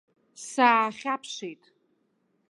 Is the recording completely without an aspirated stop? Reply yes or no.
no